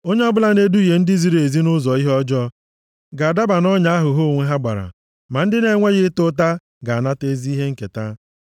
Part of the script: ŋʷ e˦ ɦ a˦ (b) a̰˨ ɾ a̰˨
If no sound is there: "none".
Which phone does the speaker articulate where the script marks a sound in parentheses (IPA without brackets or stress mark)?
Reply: ɡ͡b